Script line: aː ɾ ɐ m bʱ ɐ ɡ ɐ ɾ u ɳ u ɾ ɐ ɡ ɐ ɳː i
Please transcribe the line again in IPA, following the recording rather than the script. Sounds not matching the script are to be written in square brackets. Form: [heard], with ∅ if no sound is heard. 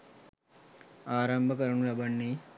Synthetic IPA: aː ɾ ɐ m bʱ ɐ [k] ɐ ɾ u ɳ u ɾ ɐ [b] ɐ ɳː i

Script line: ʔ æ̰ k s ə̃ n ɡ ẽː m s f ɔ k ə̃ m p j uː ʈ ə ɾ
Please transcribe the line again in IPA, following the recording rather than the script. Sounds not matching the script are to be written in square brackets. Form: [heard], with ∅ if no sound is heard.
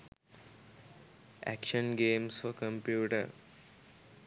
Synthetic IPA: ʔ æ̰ k [ʃ] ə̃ n ɡ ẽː m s f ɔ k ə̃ m p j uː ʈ ə ɾ

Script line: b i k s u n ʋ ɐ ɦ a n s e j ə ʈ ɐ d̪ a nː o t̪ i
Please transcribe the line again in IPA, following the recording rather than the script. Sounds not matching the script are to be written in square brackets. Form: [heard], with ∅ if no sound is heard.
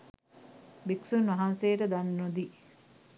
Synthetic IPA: b i k s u n ʋ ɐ ɦ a n s e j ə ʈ [ə] d̪ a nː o [d̪] i

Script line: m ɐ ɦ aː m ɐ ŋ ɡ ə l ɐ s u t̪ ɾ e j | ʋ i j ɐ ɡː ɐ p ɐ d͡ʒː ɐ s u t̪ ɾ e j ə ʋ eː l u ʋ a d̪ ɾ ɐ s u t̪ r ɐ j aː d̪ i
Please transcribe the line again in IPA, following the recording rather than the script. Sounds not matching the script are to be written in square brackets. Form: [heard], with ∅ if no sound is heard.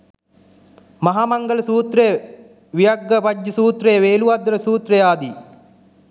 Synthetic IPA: m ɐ ɦ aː m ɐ ŋ ɡ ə l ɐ s [uː] t̪ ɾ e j | ʋ i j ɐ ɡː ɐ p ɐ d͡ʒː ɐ s [uː] t̪ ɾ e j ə ʋ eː l u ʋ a d̪ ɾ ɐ s [uː] t̪ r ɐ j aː d̪ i

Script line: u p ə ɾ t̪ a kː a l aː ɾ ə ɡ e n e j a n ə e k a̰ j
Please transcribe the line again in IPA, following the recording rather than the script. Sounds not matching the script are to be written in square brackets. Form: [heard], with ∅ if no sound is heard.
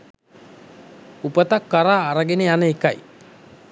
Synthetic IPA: u p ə [∅] t̪ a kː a [ɾ] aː ɾ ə ɡ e n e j a n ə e k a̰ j

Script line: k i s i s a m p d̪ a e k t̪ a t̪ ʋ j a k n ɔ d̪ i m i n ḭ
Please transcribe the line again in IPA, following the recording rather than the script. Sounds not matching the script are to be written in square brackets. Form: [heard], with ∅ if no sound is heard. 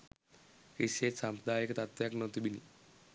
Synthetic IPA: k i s [e] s a m p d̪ a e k t̪ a t̪ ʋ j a k n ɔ [t̪] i [b] i n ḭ

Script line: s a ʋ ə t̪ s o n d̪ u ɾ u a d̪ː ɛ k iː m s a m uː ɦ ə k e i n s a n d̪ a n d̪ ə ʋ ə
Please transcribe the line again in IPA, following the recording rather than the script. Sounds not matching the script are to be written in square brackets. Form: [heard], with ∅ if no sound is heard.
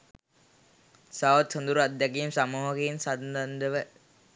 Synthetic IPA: s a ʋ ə t̪ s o n d̪ u ɾ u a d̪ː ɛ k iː m s a m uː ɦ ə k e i n s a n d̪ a n d̪ ə ʋ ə

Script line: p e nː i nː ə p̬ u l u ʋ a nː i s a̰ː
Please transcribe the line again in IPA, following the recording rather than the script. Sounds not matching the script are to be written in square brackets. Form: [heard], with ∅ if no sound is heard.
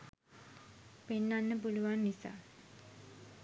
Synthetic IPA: p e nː [a] nː ə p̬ u l u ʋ a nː i s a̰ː

